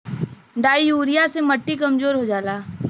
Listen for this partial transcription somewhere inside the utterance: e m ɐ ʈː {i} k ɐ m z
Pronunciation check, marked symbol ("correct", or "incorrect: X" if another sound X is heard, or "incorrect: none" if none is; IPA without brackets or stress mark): correct